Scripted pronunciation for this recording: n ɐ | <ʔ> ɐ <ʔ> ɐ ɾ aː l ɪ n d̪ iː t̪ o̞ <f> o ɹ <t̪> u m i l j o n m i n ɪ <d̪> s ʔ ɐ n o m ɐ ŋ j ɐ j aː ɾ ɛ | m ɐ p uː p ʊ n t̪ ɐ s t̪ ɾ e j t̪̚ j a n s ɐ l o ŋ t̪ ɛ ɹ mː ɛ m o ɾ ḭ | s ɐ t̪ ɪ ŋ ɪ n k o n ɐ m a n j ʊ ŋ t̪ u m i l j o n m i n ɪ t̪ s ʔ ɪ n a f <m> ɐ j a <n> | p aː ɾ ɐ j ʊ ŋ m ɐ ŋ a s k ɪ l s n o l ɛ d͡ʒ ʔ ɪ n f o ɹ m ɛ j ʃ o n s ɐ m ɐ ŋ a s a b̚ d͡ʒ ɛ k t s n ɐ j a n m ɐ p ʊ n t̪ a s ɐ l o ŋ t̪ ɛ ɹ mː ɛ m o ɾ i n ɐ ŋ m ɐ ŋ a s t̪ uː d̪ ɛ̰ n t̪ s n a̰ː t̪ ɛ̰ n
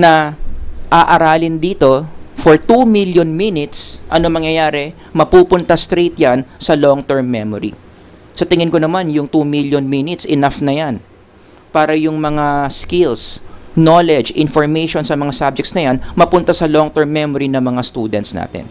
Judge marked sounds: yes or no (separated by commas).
yes, yes, yes, yes, no, no, yes